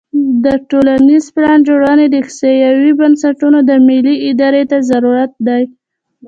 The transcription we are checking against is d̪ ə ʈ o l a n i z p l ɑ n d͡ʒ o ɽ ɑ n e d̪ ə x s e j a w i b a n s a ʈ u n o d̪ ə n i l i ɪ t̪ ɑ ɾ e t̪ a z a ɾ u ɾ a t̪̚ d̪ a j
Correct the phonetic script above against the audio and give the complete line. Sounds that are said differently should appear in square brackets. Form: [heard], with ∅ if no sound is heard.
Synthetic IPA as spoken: d̪ ə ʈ o l a n i z p l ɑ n d͡ʒ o ɽ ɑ n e d̪ ə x s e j a w i b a n s a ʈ u n o d̪ ə [m] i l i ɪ [d̪] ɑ ɾ e t̪ a z a ɾ u ɾ a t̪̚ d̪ a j